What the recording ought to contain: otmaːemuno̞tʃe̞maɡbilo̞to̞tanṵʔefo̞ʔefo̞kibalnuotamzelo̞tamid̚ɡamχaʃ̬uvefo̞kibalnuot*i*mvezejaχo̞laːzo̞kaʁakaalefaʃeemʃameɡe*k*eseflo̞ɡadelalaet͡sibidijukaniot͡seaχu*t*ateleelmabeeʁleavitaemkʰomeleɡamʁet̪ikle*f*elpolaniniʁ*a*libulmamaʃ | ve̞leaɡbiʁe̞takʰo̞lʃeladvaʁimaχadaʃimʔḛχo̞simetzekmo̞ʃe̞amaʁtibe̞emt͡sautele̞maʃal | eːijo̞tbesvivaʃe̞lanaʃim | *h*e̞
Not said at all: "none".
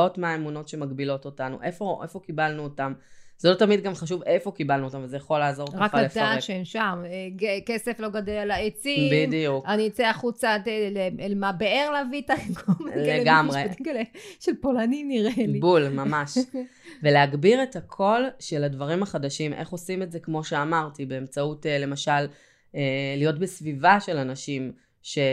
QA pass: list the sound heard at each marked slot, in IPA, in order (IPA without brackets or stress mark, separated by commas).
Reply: a, k, t͡s, ʃ, e, ʃ